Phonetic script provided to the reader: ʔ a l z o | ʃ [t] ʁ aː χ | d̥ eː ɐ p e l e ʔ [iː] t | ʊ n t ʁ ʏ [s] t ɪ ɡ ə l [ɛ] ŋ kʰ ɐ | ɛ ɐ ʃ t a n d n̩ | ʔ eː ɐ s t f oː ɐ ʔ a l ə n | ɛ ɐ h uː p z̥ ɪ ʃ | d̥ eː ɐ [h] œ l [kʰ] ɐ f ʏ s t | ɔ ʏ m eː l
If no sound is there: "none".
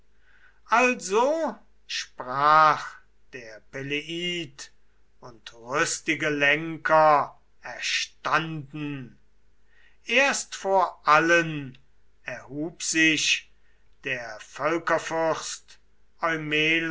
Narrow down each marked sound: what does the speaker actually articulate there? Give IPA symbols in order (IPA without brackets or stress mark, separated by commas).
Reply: p, iː, s, ɛ, f, k